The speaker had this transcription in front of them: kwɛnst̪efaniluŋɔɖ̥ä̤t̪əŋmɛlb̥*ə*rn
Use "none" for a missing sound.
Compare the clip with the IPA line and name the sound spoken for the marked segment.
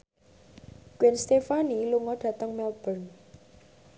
ə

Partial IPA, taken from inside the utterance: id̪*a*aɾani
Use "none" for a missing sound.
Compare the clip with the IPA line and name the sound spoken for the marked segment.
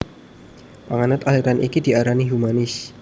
i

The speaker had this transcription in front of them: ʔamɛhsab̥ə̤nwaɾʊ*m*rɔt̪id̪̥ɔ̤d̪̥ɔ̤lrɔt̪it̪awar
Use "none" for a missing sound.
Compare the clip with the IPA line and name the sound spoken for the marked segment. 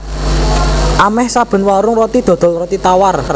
ŋ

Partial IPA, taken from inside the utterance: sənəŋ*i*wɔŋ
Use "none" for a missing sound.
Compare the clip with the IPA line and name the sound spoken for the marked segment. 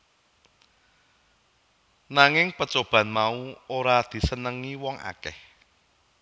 i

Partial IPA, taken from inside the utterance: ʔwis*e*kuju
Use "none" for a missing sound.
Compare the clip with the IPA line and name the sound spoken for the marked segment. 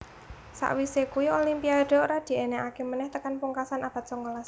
e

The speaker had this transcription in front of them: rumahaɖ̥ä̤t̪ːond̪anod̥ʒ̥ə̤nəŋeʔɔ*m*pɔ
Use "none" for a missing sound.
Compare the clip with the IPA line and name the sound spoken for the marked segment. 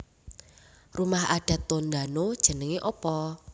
none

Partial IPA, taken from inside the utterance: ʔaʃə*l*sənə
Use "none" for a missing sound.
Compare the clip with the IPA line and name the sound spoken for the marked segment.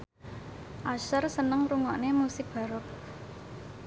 r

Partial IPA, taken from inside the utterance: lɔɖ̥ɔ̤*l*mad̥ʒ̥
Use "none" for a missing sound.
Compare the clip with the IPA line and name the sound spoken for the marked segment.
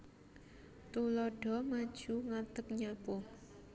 none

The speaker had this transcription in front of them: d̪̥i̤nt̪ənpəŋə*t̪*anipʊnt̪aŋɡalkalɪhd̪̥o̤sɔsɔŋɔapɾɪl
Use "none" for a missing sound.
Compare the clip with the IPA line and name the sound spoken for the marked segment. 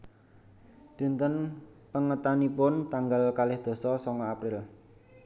t̪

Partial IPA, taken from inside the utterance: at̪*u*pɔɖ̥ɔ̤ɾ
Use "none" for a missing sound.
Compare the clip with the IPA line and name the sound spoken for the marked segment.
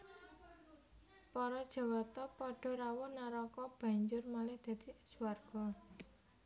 ɔ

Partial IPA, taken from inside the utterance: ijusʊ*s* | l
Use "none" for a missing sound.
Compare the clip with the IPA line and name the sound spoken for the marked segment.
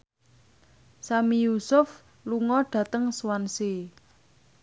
f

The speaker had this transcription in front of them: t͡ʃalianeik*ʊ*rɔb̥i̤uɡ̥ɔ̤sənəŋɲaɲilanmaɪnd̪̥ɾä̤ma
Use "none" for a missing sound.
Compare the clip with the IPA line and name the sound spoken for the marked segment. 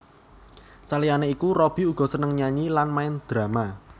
u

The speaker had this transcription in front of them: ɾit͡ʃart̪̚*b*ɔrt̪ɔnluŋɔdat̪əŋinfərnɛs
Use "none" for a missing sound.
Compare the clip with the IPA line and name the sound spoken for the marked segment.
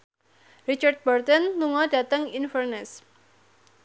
b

